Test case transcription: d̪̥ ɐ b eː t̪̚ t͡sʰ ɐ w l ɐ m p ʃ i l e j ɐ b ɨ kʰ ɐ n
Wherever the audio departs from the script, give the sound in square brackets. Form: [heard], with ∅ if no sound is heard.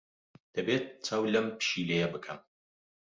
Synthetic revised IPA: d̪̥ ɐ b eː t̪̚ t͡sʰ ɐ w l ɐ m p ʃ i l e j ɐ b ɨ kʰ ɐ [m]